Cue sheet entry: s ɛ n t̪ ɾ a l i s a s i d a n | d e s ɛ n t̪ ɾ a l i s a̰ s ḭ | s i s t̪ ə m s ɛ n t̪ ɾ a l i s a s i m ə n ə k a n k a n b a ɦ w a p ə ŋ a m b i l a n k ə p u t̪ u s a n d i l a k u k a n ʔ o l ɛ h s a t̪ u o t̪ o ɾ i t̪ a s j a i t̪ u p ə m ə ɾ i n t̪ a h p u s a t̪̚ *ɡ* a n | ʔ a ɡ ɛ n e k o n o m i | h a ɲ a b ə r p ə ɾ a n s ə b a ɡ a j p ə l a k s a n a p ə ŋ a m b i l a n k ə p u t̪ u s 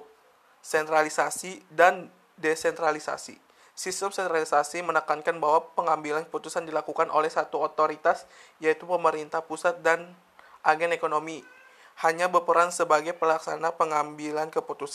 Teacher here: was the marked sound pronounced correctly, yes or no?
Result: no